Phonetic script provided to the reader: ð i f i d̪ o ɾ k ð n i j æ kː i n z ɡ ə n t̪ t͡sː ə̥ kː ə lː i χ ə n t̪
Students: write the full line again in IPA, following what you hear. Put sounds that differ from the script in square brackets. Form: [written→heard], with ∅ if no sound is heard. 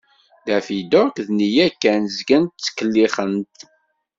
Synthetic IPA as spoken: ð [i→æ] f i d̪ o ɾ k ð n i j æ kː [i→æ] n z ɡ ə n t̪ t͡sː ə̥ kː ə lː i χ ə n t̪